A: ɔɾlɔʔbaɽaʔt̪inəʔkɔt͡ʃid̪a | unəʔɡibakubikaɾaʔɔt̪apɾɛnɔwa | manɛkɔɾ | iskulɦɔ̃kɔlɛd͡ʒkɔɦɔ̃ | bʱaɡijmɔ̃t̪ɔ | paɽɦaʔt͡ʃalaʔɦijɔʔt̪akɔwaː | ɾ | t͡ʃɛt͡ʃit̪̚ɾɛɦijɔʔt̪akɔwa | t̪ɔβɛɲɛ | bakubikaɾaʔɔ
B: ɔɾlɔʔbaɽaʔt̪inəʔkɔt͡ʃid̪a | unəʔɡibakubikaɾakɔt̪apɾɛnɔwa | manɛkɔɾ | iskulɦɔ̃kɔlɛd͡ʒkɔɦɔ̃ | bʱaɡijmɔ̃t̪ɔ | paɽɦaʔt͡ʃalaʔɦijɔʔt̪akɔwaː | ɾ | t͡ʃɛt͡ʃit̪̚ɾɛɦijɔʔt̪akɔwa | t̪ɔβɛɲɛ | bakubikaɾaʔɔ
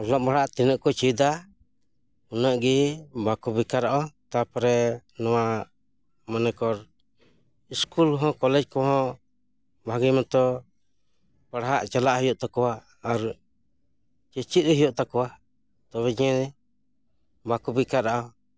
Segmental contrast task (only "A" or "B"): A